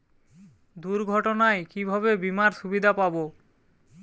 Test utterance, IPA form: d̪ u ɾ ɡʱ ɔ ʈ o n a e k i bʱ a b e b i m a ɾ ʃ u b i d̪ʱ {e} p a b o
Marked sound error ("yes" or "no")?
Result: yes